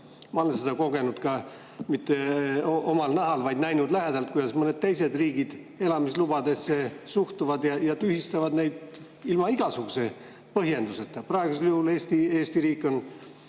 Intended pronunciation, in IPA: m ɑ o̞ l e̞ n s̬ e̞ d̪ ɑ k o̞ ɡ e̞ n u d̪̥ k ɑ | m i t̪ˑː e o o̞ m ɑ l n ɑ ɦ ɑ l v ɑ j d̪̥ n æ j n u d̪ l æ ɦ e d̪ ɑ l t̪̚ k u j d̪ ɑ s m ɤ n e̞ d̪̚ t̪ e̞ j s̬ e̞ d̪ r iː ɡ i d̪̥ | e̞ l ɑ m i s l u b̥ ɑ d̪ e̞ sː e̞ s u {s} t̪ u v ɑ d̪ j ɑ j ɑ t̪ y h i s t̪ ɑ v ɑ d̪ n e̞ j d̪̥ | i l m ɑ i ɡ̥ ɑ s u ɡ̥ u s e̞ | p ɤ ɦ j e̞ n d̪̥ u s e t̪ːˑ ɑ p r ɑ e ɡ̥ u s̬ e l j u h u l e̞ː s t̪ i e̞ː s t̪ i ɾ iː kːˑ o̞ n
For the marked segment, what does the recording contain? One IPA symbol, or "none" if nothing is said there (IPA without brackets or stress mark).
h